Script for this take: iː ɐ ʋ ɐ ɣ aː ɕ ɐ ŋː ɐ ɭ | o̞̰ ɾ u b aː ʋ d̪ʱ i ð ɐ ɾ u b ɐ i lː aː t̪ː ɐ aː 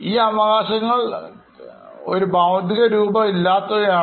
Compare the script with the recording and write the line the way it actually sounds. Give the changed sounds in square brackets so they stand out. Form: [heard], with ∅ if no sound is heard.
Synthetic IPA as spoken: iː ɐ ʋ ɐ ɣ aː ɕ ɐ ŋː ɐ ɭ | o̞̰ ɾ u b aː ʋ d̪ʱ i [ɣ] ɐ ɾ [uː] b ɐ i lː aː t̪ː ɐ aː